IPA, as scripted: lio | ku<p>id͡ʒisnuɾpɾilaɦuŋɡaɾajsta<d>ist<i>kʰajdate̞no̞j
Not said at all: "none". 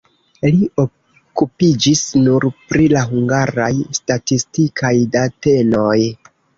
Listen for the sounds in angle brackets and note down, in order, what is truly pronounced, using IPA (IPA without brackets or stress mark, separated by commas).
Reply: p, t, i